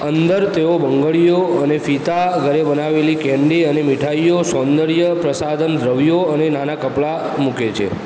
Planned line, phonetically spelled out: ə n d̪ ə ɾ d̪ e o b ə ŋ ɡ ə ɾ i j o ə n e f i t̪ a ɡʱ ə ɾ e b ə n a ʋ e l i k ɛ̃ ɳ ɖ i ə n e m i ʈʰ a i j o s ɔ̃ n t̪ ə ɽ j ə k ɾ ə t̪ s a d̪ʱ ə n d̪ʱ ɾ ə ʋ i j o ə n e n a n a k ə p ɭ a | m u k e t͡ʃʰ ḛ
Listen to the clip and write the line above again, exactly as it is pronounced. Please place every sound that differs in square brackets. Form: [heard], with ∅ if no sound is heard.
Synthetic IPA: ə n d̪ ə ɾ [t̪] e o b ə ŋ ɡ ə [ɭ] i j o ə n e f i t̪ a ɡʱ ə ɾ e b ə n a ʋ e l i k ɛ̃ ɳ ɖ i ə n e m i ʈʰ a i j o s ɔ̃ n [d̪] ə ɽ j ə [p] ɾ ə [∅] s a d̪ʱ ə n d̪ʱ ɾ ə ʋ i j o ə n e n a n a k ə p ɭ a | m u k e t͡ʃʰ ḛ